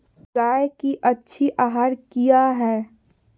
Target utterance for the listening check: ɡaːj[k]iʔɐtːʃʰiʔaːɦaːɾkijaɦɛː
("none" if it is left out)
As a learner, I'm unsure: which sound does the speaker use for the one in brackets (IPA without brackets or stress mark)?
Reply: k